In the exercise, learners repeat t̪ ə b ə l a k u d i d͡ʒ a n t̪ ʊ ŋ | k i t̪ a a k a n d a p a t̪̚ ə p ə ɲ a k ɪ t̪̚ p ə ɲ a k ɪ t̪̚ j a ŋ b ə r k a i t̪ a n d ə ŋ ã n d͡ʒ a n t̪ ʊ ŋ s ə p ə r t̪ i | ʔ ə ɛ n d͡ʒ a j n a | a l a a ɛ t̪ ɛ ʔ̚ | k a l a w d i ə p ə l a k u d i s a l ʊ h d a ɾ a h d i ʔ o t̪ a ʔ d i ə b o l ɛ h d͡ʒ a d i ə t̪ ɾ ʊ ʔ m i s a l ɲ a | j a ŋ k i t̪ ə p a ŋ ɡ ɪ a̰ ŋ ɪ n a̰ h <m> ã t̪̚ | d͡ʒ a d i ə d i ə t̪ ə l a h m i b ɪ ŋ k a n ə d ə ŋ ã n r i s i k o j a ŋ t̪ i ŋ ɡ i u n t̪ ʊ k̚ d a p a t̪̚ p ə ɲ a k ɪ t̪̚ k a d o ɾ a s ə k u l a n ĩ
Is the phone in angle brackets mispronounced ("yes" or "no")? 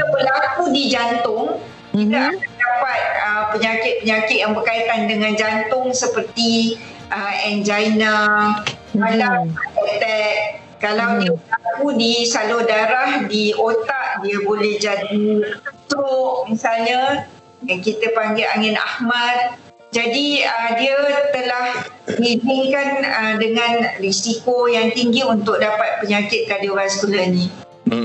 no